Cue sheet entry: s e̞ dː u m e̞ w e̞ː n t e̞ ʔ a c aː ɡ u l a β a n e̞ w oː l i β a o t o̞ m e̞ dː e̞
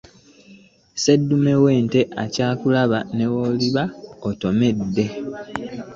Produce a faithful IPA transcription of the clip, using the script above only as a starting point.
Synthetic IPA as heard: s e̞ dː u m e̞ w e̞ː n t e̞ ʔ a c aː k u l a β a n e̞ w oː l i β a o t o̞ m e̞ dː e̞

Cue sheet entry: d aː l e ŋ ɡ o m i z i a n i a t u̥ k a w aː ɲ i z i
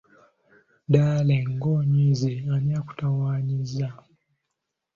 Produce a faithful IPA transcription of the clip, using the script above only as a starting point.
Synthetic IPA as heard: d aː l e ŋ ɡ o ɲ i z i a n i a k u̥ t a w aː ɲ i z a

